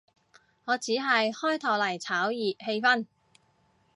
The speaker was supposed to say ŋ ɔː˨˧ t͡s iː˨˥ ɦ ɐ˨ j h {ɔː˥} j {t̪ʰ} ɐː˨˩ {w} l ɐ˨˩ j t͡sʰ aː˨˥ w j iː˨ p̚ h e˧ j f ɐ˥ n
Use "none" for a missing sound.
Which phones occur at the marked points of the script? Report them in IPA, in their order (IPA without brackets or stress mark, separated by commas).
ɔː˥, t̪ʰ, w